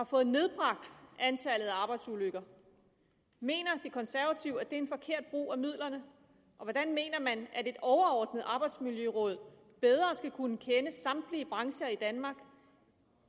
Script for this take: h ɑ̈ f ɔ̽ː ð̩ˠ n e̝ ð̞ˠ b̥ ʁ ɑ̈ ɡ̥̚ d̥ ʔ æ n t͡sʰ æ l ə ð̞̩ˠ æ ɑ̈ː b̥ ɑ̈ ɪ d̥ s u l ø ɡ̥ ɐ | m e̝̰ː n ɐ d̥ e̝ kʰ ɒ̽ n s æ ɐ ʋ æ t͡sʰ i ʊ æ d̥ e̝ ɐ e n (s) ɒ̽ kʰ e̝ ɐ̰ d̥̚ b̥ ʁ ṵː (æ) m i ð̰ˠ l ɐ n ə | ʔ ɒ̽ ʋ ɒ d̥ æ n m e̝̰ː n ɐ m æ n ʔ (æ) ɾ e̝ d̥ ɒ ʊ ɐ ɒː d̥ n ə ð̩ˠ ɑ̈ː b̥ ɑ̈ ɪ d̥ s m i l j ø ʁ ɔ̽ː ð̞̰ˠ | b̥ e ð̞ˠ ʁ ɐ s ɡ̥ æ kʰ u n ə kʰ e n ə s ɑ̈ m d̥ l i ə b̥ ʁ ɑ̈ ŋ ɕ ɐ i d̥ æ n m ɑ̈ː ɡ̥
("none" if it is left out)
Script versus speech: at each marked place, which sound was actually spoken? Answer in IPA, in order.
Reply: f, æ, æ

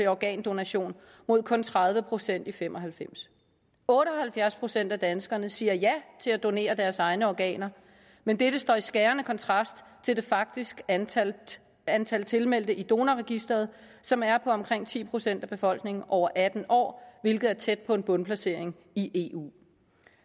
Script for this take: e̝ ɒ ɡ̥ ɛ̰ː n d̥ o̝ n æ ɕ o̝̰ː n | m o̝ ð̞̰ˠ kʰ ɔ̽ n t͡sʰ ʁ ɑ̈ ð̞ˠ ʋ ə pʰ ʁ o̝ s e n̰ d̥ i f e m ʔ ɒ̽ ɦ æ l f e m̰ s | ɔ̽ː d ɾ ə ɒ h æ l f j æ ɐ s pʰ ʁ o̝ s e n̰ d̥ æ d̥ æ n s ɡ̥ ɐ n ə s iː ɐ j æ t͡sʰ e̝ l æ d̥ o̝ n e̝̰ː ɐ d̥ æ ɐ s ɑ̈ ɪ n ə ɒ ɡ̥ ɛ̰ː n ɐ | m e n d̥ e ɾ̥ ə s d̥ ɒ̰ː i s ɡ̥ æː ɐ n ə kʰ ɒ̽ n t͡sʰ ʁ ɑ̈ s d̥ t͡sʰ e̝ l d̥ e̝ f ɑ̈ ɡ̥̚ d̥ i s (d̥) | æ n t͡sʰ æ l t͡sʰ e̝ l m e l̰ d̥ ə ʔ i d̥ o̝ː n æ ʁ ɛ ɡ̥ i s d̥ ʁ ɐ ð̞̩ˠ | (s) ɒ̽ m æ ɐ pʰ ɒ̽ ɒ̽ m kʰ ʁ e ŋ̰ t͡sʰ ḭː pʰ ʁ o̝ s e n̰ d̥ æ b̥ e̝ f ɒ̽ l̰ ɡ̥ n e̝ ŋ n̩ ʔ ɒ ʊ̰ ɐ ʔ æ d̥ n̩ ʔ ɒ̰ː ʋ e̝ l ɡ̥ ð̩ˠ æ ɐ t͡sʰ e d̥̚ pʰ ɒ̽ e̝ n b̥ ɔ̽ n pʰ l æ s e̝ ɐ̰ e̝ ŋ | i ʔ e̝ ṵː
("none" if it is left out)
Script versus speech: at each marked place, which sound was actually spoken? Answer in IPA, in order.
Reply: ɡ̥, s

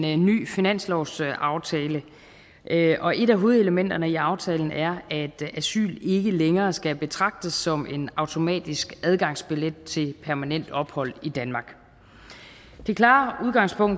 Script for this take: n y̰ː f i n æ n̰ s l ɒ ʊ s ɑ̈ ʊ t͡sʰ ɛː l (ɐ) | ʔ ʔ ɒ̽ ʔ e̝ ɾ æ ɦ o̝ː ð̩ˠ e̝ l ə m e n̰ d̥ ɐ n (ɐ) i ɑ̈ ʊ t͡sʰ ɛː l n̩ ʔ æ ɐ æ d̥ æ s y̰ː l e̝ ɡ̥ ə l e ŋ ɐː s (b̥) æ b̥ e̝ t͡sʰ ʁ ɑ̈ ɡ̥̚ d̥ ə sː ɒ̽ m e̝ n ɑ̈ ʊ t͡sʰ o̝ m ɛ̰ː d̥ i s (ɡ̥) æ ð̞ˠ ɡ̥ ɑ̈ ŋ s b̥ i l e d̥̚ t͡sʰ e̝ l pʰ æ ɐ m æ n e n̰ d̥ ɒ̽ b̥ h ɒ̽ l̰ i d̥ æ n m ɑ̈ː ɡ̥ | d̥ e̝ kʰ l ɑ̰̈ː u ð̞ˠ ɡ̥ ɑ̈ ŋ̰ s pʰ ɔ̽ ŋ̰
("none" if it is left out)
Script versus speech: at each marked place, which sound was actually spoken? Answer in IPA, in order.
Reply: ə, ə, ɡ̥, ɡ̥

